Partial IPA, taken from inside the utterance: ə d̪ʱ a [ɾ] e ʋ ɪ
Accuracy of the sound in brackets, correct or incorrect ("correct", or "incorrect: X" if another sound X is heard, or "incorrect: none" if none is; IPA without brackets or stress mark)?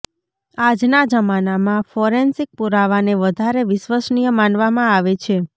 correct